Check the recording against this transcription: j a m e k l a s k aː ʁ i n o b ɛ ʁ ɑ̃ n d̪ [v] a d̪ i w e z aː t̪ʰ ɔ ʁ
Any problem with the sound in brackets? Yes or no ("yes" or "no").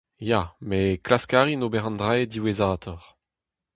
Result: yes